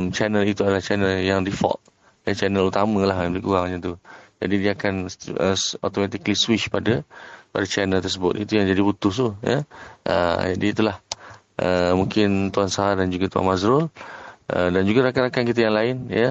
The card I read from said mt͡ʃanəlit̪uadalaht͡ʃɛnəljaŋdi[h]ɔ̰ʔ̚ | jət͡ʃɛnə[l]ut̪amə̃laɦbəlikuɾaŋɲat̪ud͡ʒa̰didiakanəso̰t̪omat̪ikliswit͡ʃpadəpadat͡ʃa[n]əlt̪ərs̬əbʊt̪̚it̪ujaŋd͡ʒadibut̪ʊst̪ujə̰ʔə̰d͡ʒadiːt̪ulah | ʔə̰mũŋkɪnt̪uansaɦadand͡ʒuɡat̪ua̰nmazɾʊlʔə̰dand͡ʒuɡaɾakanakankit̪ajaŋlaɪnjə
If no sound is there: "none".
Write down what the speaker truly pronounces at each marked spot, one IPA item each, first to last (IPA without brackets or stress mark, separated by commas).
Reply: f, l, n